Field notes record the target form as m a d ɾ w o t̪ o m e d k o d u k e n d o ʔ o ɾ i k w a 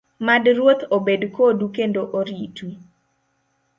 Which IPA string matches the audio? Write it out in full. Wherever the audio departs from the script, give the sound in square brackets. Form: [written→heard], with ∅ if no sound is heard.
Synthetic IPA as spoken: m a d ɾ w o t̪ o [m→b] e d k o d u k e n d o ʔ o ɾ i [k→t] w [a→i]